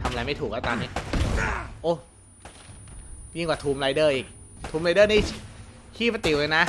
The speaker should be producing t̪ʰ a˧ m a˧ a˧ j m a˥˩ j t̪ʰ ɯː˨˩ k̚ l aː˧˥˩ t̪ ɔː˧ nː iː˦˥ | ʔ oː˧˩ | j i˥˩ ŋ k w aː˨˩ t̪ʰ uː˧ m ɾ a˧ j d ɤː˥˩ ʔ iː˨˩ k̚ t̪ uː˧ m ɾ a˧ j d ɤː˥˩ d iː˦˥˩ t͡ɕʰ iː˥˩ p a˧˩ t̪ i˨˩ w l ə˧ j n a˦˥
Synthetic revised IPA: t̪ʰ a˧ m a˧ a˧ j m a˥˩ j t̪ʰ uː˨˩ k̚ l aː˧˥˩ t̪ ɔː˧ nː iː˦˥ | ʔ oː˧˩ | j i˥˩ ŋ k w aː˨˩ t̪ʰ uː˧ m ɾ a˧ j d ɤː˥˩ ʔ iː˨˩ k̚ t̪ʰ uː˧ m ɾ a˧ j d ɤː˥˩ n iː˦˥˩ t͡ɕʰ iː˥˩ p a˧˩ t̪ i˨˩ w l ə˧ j n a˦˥